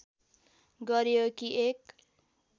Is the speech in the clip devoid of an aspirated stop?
yes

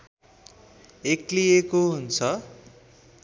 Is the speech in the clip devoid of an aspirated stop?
no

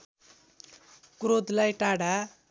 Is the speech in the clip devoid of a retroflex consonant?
no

